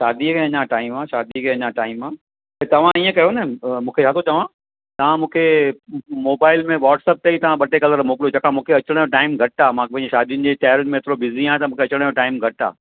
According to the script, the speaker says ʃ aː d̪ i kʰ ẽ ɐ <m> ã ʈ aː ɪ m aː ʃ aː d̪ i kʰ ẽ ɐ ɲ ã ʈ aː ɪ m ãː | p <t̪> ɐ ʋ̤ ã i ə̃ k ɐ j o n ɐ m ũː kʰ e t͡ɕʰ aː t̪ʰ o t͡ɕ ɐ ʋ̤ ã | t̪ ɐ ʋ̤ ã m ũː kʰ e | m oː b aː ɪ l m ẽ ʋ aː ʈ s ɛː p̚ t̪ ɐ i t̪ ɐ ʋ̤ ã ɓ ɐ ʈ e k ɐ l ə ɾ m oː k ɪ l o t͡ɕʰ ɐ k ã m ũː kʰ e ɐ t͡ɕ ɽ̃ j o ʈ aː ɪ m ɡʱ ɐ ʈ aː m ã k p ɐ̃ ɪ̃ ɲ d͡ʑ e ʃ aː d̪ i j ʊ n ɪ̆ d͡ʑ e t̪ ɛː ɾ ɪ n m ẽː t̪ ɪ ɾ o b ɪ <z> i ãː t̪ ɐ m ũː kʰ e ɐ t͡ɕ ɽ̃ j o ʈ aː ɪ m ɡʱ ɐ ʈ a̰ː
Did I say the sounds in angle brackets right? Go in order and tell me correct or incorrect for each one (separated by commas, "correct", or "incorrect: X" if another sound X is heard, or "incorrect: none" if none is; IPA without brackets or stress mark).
incorrect: ɲ, correct, correct